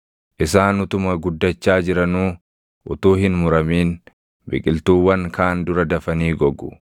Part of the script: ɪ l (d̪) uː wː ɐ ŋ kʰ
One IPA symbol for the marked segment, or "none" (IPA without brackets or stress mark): t̪